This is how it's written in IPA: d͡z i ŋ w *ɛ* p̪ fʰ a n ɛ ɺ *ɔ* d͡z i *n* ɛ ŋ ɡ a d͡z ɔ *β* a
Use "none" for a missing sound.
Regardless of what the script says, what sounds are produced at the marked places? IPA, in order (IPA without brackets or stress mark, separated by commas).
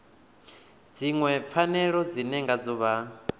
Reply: ɛ, ɔ, n, β